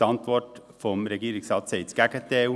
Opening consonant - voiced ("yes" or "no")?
yes